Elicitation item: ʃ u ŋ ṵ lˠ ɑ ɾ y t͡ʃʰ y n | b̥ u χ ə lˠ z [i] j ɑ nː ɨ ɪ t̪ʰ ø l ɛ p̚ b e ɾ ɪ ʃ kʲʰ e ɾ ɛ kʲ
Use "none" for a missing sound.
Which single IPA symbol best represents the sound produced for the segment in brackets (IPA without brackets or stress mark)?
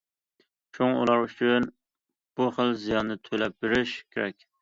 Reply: i